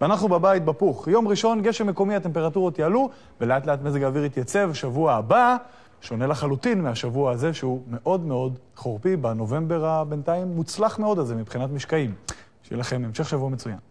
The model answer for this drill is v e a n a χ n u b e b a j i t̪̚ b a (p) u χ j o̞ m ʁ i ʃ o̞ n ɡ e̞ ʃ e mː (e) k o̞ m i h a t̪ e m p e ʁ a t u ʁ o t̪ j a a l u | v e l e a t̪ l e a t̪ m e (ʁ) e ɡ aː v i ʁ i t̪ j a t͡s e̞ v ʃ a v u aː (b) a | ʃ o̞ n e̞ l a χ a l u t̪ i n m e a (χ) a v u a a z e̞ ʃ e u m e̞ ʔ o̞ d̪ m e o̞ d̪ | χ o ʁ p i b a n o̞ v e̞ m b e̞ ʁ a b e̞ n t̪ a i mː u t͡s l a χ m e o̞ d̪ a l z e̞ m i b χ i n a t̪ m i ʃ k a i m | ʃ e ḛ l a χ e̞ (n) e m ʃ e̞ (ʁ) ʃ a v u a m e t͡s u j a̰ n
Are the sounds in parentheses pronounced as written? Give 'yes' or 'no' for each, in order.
yes, yes, no, yes, no, no, no

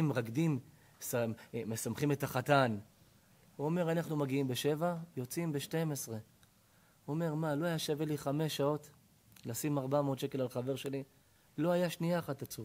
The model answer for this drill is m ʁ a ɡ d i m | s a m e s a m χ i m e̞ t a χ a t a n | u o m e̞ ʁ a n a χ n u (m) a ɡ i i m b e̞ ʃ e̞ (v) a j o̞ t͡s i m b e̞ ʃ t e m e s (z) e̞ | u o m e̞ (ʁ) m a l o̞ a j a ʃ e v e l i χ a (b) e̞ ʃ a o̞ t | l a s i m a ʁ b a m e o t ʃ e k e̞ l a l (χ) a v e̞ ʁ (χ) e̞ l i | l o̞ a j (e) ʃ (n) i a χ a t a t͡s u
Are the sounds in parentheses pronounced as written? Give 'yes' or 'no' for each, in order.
yes, yes, no, yes, no, yes, no, no, yes

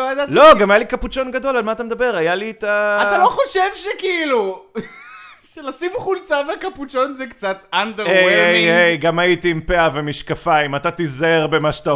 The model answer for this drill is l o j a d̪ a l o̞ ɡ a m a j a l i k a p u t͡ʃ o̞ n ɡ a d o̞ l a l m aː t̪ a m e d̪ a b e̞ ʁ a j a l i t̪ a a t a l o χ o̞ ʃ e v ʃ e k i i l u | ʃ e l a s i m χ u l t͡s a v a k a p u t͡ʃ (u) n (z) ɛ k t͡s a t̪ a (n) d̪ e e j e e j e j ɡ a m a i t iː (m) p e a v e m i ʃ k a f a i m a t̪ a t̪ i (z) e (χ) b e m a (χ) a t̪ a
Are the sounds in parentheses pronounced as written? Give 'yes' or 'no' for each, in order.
no, yes, yes, yes, yes, no, no

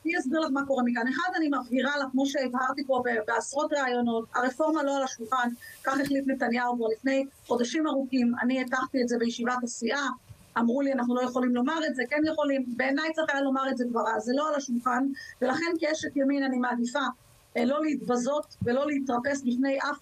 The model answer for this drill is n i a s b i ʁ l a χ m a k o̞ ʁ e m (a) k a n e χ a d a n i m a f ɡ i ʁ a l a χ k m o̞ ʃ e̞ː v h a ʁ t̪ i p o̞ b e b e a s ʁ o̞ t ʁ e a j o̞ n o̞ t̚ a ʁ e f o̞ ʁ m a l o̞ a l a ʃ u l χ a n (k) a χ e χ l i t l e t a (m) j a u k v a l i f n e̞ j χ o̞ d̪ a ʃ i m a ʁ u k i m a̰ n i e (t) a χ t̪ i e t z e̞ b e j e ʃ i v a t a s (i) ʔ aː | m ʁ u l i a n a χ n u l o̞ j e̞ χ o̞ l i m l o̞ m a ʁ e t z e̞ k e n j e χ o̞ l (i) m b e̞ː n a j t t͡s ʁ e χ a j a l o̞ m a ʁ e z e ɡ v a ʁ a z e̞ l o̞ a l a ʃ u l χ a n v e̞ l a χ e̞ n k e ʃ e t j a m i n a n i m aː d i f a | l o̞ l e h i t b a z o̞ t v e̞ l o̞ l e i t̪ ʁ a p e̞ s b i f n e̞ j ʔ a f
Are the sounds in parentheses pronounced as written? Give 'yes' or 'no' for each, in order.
no, yes, no, yes, yes, yes

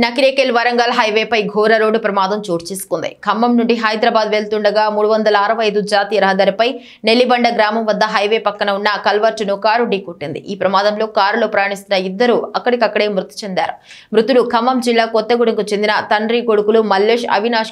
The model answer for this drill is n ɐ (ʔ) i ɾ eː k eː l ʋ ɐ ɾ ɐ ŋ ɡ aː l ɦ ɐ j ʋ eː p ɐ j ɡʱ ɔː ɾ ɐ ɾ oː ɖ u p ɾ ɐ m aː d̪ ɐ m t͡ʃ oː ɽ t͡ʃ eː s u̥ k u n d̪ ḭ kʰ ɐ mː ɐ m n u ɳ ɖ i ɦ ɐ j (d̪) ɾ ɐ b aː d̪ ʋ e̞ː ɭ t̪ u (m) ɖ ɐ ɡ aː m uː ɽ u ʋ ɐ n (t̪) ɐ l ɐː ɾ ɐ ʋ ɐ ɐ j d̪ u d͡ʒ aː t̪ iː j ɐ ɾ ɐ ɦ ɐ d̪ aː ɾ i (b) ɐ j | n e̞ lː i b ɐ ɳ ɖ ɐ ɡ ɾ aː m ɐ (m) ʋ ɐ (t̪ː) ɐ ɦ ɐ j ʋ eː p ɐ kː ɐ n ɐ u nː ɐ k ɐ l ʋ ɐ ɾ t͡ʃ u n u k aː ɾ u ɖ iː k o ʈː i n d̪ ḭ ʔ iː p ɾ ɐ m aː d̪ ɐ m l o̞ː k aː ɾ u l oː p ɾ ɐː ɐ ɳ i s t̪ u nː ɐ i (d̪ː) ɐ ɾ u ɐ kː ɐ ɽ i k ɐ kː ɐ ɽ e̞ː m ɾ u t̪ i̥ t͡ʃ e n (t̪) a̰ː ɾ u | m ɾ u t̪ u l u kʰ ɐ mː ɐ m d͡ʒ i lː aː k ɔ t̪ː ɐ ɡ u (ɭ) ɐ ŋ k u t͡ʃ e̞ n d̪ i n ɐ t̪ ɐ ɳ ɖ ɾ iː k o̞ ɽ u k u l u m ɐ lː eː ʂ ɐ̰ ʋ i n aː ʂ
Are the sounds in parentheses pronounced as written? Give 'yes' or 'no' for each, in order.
no, yes, no, no, no, yes, no, yes, no, no

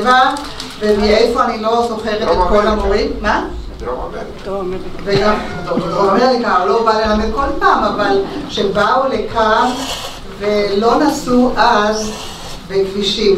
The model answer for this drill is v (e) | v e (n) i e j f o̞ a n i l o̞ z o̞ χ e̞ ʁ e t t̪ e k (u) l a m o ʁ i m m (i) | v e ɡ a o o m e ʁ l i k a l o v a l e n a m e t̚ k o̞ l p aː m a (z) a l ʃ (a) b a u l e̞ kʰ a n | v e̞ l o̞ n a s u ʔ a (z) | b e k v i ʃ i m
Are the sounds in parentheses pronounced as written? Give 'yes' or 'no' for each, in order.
no, no, no, no, no, no, yes

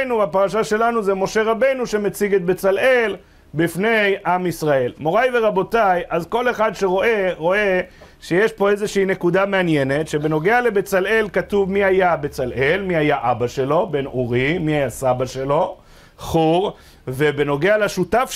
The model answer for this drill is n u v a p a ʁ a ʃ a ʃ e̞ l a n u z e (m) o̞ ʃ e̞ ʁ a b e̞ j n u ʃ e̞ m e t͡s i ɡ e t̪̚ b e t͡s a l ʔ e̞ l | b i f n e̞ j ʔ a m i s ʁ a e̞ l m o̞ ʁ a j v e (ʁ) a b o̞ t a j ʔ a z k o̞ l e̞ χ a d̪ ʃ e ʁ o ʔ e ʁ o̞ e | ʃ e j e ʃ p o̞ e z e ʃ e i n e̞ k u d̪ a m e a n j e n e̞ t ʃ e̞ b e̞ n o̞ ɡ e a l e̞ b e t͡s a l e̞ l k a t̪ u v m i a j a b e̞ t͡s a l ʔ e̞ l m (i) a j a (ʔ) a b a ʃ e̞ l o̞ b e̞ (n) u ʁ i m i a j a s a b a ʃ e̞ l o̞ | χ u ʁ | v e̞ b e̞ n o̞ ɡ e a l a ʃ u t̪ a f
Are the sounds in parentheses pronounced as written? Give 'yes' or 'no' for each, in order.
yes, yes, yes, yes, yes

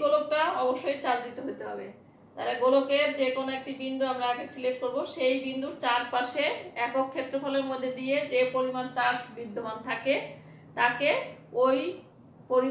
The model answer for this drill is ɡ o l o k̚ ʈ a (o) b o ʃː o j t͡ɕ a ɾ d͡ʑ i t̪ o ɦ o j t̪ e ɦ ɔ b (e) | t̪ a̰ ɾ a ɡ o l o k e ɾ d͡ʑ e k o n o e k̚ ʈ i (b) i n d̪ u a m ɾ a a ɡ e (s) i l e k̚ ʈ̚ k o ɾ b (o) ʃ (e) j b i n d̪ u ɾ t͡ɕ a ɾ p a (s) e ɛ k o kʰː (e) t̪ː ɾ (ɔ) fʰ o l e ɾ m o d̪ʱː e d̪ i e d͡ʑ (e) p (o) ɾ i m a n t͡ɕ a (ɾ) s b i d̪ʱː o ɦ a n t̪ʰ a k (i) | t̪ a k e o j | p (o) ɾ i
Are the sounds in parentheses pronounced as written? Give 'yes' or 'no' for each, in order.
no, yes, yes, yes, yes, yes, no, yes, no, yes, yes, yes, no, yes

